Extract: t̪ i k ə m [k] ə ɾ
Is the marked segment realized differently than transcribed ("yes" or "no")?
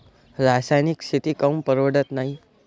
yes